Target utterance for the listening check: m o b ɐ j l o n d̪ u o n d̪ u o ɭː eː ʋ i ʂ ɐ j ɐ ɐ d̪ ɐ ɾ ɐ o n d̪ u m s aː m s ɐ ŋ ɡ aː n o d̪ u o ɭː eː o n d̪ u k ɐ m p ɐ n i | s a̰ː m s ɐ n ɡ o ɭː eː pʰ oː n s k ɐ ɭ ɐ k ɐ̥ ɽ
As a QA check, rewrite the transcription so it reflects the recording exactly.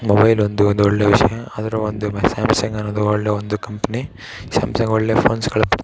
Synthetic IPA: m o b ɐ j l o n d̪ u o n d̪ u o ɭː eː ʋ i ʂ ɐ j ɐ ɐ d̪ ɐ ɾ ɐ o n d̪ u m s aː m s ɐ ŋ ɡ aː n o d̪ u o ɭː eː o n d̪ u k ɐ m p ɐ n i | s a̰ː m s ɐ ŋ ɡ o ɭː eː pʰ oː n s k ɐ ɭ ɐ p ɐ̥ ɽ